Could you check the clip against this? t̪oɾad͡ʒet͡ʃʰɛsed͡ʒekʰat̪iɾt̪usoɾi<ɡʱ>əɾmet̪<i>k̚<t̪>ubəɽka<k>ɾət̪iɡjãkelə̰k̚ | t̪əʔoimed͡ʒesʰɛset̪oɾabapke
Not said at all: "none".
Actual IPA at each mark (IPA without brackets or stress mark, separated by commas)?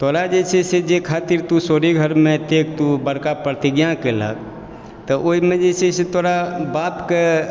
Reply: ɡʱ, e, t̪, p